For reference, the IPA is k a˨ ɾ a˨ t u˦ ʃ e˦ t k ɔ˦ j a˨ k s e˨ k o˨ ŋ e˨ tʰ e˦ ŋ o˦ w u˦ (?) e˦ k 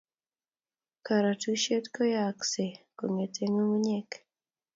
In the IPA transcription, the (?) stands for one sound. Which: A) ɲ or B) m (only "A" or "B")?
A